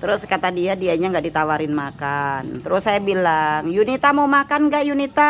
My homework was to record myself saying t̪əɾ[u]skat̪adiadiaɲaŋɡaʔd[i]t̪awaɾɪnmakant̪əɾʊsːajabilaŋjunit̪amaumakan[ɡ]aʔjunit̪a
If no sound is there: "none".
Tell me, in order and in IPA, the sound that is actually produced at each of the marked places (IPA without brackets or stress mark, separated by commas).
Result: ʊ, i, ɡ